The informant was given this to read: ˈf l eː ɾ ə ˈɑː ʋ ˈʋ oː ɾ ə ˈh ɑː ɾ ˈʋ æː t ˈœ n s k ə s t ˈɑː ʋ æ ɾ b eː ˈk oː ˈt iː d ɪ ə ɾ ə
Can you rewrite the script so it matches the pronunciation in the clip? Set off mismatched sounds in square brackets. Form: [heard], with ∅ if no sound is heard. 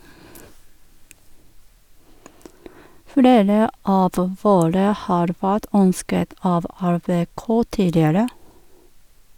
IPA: ˈf l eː ɾ ə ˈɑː ʋ ˈʋ oː ɾ ə ˈh ɑː ɾ ˈʋ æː t ˈœ n s k ə [∅] t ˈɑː ʋ æ ɾ b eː ˈk oː ˈt iː d ɪ ə ɾ ə